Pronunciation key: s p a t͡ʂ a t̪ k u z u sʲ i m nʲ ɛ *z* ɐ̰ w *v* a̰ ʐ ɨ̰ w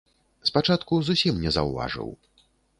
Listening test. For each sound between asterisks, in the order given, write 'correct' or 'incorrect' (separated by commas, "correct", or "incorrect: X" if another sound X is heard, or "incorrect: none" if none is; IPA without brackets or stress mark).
correct, correct